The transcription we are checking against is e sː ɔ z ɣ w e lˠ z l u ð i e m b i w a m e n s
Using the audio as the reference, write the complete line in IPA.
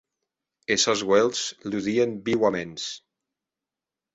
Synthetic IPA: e s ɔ z ɣ w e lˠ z l u ð i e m b i w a m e n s